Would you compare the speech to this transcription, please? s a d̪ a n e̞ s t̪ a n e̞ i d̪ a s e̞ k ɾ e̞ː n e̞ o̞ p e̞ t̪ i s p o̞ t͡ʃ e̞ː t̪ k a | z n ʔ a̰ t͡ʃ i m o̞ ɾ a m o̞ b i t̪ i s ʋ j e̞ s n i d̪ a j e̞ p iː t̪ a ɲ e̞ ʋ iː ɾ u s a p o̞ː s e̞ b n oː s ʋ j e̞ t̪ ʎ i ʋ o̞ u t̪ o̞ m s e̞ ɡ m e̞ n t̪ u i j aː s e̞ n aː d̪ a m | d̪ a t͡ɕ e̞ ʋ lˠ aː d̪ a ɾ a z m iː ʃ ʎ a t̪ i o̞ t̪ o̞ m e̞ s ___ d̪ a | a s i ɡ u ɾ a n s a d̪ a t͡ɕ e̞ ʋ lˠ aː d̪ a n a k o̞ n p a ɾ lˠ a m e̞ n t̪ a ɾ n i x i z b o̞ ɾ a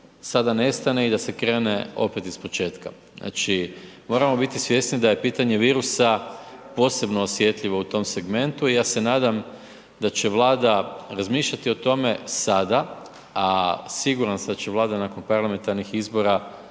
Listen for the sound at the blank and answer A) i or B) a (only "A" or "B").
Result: B